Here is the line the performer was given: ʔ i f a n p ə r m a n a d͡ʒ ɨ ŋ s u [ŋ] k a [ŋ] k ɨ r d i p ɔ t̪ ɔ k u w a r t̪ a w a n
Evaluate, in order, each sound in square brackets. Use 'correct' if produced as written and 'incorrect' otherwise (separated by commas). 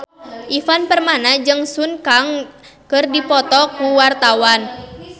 incorrect, correct